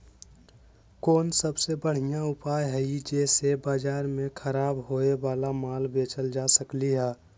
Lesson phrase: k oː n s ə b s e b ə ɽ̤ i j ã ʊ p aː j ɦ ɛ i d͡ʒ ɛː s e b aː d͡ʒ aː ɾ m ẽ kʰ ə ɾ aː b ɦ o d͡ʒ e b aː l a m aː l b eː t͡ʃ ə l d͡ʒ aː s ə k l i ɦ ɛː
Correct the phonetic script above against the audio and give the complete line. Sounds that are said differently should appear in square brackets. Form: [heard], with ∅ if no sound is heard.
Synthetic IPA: k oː n s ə b s e b ə ɽ̤ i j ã ʊ p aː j ɦ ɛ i d͡ʒ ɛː s e b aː d͡ʒ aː ɾ m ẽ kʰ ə ɾ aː b ɦ o [∅] e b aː l a m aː l b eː t͡ʃ ə l d͡ʒ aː s ə k l i ɦ ɛː